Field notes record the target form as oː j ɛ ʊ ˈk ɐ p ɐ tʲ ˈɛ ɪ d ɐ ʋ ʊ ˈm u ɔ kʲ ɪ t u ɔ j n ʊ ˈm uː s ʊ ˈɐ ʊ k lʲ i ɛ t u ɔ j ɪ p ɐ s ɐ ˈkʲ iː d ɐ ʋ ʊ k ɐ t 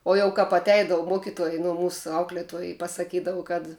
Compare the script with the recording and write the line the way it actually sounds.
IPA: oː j ɛ ʊ ˈk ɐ p ɐ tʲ ˈɛ ɪ d ɐ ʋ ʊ ˈm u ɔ kʲ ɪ t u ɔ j n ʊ ˈm uː s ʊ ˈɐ ʊ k lʲ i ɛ t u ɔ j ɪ p ɐ s ɐ ˈkʲ iː d ɐ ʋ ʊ k ɐ t